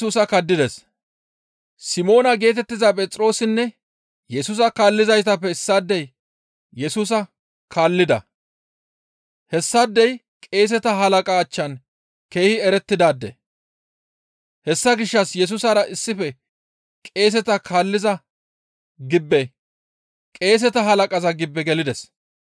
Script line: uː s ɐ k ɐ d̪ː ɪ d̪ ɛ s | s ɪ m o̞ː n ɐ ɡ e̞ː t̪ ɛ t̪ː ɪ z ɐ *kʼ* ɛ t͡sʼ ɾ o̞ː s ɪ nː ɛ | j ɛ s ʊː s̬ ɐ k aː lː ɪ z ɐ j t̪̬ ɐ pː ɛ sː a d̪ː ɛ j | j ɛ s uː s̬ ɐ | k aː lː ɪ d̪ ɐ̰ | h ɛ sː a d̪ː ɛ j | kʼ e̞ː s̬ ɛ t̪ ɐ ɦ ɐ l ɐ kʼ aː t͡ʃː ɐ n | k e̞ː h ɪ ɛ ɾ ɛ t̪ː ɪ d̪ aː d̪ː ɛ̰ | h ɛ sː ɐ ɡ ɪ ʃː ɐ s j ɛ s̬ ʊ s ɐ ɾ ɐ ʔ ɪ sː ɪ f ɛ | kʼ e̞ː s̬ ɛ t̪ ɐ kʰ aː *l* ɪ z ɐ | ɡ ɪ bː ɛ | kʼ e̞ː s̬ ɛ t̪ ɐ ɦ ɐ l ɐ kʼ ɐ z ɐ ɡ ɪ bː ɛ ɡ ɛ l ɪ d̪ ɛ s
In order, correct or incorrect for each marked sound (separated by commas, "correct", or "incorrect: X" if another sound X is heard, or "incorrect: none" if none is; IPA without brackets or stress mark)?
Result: incorrect: pʼ, incorrect: lː